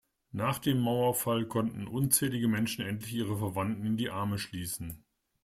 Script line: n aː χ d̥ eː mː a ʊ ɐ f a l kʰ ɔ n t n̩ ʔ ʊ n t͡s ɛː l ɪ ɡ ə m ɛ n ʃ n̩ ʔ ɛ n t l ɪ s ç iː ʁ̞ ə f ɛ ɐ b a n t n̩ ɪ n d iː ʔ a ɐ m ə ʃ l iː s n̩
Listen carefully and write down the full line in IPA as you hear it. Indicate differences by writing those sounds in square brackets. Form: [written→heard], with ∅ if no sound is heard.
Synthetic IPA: n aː χ d̥ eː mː a ʊ ɐ f a l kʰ ɔ n t n̩ ʔ ʊ n t͡s ɛː l ɪ ɡ ə m ɛ n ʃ n̩ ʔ ɛ n t l ɪ [s→∅] ç iː ʁ̞ ə f ɛ ɐ [b→v] a n t n̩ ɪ n d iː ʔ a ɐ m ə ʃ l iː s n̩